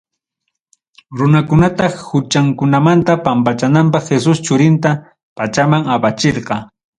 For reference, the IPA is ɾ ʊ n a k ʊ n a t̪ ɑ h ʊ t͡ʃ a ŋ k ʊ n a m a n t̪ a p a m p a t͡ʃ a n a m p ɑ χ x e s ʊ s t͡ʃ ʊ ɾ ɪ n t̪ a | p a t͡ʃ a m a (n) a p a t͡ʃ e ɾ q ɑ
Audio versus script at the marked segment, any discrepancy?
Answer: yes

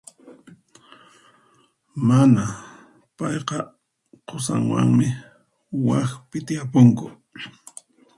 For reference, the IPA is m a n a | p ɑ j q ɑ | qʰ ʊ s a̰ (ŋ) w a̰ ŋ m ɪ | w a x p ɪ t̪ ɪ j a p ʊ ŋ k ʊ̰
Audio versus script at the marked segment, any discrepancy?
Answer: no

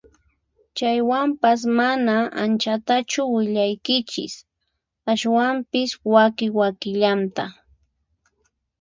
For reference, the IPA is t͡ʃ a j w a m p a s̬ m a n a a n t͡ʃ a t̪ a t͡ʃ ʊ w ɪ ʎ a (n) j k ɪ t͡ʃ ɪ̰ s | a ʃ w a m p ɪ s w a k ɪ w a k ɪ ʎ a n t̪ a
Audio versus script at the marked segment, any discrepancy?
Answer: yes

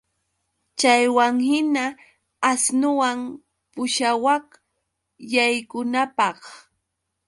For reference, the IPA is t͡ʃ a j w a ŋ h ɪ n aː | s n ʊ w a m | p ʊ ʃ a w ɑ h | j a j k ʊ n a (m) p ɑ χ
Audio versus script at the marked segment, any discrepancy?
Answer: yes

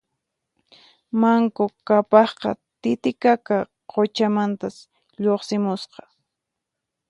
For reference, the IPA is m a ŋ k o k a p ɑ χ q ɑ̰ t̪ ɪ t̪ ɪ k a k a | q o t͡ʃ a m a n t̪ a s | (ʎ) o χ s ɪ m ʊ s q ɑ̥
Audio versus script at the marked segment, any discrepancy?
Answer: no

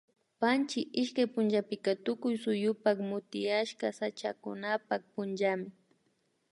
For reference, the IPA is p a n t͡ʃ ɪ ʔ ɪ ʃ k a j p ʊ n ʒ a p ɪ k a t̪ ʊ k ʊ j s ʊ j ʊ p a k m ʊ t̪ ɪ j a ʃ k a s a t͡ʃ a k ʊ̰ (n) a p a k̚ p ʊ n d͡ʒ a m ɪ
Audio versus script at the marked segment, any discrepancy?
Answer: no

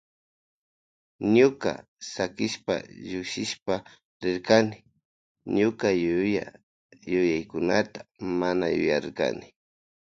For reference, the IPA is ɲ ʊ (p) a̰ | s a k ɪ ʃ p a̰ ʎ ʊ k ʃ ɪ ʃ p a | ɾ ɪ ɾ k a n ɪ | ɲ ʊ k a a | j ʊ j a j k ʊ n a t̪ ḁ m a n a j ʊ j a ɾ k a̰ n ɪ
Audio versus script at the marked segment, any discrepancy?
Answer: yes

